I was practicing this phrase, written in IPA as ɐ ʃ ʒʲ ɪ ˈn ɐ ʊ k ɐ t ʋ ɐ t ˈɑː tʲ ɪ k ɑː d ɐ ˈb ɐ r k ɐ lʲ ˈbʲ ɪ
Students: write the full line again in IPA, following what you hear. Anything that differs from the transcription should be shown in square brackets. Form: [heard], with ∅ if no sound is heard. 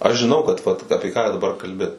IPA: ɐ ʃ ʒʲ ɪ ˈn ɐ ʊ k ɐ t ʋ ɐ t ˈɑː [pʲ] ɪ k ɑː d ɐ ˈb ɐ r k ɐ lʲ ˈbʲ ɪ